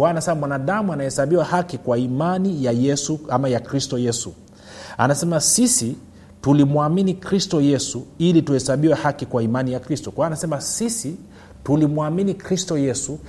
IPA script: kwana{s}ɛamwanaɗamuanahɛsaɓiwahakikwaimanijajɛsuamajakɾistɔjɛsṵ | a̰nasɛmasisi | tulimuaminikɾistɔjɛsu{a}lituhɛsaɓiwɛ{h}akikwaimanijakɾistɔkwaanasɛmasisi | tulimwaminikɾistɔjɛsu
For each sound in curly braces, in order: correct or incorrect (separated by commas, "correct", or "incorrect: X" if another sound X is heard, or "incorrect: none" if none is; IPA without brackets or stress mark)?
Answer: correct, incorrect: i, correct